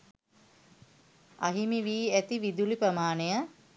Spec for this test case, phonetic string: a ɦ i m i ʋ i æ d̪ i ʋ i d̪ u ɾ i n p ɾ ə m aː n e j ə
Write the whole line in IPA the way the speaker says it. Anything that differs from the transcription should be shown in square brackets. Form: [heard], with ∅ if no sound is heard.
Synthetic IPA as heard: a ɦ i m i ʋ [iː] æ [t̪] i ʋ i d̪ u [l] i [∅] p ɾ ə m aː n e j ə